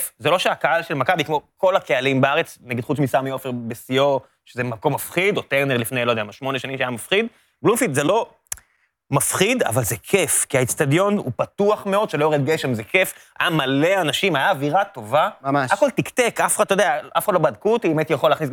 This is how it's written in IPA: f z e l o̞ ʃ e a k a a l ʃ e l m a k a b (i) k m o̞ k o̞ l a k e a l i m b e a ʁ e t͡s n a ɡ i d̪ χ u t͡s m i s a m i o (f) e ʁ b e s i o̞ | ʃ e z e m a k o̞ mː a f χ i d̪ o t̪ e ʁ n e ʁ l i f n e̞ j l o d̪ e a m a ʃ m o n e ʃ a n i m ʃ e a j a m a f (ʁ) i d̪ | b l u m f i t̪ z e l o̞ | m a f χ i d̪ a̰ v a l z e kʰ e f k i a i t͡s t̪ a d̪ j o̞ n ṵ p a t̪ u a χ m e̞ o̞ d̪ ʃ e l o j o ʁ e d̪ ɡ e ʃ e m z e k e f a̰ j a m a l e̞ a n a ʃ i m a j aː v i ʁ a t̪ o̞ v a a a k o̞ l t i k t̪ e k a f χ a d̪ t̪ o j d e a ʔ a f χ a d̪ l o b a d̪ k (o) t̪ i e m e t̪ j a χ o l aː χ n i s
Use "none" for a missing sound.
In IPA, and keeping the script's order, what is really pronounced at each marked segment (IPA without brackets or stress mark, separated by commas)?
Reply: i, f, χ, u